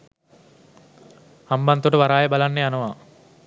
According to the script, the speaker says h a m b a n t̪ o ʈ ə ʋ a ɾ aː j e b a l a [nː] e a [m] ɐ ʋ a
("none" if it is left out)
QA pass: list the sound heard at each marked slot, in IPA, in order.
nː, n

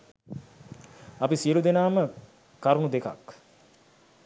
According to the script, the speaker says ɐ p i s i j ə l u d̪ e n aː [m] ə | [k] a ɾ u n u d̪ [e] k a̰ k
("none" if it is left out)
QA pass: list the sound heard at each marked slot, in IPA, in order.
m, k, e

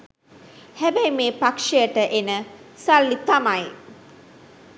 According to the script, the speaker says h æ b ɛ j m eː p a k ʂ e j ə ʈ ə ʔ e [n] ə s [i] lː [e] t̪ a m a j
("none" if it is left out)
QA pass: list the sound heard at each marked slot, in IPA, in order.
n, a, i

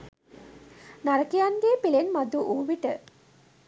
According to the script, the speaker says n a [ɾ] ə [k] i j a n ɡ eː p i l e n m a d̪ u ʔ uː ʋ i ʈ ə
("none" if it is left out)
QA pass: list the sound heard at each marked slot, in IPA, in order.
ɾ, k

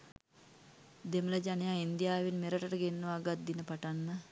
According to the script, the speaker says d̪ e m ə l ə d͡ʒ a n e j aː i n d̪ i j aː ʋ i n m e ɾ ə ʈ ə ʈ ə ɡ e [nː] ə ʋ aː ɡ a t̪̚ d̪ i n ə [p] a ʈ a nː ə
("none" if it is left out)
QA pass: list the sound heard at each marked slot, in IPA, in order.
nː, p

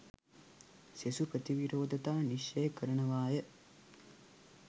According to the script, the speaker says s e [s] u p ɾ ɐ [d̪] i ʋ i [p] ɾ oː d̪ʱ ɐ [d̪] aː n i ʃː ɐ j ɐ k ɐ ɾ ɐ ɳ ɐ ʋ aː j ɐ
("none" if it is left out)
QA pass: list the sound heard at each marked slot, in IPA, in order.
s, t̪, none, t̪

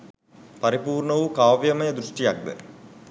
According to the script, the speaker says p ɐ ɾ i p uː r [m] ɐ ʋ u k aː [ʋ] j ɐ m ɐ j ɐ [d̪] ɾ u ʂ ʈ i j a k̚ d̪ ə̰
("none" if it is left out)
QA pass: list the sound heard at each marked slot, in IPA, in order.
ɳ, ʋ, d̪

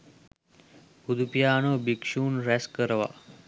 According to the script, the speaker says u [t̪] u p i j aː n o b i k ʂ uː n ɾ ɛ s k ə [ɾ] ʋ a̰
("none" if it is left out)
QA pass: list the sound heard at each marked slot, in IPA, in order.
d̪, ɾ

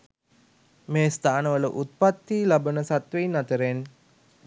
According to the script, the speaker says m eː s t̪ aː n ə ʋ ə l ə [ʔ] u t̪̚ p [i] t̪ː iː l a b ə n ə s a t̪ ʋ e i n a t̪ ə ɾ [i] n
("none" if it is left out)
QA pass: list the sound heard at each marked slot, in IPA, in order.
ʔ, a, e

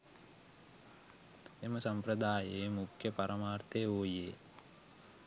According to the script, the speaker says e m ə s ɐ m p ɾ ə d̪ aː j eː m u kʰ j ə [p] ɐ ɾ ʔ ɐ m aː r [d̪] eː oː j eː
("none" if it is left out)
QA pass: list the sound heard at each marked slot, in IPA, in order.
p, t̪

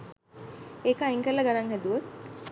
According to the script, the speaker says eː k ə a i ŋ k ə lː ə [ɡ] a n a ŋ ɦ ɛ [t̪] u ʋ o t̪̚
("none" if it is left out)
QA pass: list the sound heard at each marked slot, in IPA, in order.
ɡ, d̪

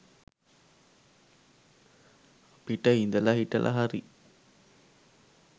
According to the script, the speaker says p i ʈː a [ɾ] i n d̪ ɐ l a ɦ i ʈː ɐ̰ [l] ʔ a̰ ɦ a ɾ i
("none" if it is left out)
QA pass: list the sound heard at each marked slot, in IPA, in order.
none, l

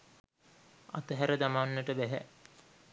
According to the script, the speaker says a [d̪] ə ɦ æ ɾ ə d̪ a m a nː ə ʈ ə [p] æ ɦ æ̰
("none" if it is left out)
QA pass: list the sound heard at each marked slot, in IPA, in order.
t̪, b

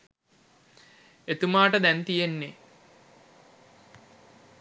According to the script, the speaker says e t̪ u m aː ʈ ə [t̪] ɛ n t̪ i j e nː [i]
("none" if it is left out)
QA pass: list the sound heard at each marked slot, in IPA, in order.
d̪, e

